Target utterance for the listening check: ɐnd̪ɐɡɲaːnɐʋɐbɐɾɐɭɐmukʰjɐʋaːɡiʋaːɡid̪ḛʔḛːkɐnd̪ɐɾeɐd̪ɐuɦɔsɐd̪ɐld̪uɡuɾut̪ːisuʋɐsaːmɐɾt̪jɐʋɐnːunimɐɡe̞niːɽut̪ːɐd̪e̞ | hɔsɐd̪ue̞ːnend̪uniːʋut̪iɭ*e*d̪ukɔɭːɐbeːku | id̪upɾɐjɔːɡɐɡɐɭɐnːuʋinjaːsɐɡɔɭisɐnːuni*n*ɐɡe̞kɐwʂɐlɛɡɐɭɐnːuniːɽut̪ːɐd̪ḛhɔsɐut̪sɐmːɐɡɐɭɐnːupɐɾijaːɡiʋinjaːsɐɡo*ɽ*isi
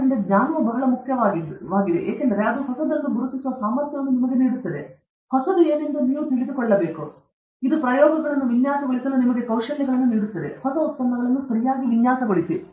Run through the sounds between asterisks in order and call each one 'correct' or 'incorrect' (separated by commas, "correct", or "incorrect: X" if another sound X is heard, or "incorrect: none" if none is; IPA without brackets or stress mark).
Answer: incorrect: i, incorrect: m, incorrect: ɭ